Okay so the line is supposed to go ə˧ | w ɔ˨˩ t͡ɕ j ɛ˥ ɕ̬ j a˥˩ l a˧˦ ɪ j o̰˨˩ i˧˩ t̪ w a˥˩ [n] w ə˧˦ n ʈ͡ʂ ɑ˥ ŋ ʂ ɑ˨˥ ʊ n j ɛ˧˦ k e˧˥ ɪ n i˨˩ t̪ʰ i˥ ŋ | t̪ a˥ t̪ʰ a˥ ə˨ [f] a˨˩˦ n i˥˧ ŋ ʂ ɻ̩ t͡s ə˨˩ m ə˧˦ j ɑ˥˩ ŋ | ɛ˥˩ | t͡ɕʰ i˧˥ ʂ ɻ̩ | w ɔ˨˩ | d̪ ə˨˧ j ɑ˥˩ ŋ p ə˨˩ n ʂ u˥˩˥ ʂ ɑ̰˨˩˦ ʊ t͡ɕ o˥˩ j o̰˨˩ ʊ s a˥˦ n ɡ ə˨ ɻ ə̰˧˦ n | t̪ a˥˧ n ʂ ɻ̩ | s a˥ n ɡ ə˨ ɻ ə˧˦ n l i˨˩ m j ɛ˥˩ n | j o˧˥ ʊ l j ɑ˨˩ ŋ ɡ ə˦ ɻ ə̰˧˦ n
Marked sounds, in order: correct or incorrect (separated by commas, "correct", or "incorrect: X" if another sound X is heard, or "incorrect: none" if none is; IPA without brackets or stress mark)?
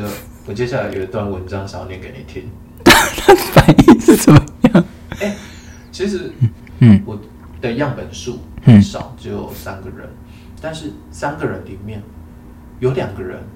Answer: correct, correct